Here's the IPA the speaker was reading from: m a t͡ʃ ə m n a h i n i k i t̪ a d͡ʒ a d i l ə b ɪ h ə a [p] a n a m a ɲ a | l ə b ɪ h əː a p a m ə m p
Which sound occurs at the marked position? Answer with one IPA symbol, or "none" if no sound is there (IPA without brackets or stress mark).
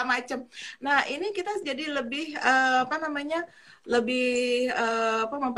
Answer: p